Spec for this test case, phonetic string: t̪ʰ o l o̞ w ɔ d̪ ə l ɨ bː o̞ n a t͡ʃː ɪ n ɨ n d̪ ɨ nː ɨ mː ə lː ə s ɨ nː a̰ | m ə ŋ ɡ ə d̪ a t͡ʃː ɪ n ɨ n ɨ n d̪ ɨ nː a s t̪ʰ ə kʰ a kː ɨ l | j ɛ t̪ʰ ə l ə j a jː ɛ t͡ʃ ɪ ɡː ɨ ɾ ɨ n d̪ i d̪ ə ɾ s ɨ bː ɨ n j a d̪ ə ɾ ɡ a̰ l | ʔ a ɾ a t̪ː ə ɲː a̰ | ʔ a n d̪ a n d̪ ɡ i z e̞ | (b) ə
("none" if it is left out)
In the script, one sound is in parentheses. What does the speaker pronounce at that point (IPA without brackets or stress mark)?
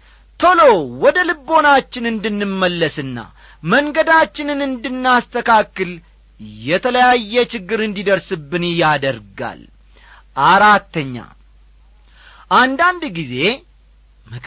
m